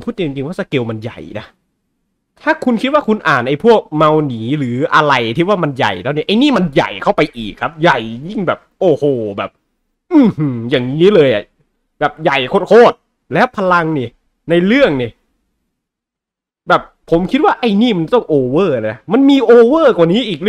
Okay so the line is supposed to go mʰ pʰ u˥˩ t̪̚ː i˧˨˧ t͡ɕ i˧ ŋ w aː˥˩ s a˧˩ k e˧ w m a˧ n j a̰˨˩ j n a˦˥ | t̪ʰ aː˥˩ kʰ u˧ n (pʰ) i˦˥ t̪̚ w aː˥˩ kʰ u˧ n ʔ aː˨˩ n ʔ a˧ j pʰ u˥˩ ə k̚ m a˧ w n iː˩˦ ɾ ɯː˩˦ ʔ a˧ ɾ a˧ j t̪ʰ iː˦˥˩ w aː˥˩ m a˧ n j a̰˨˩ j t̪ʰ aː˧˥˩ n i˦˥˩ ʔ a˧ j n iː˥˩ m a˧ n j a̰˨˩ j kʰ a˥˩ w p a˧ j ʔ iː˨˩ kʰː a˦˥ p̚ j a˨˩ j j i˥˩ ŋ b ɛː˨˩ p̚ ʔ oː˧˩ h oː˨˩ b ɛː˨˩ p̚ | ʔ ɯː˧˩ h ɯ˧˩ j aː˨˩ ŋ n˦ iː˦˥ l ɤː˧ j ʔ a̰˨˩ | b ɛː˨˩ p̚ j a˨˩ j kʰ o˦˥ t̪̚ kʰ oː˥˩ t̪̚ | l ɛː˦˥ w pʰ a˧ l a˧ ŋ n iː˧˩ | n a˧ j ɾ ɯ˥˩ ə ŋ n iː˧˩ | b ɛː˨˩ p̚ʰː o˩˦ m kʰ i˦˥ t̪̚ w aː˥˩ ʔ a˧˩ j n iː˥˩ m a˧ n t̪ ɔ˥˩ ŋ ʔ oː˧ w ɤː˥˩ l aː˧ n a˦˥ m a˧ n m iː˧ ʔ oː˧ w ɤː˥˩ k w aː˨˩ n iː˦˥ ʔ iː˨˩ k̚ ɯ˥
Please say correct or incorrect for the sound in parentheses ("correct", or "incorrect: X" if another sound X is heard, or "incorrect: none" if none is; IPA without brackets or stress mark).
incorrect: kʰ